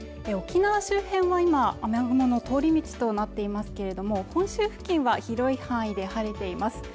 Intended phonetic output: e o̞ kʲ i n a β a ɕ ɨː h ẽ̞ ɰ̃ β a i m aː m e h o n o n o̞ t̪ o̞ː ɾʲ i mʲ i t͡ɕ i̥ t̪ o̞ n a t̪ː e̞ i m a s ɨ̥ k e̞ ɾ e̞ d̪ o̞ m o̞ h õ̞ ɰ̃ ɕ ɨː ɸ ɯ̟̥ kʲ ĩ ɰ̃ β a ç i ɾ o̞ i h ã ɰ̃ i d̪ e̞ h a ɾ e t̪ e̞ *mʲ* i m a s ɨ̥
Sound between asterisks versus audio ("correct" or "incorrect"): incorrect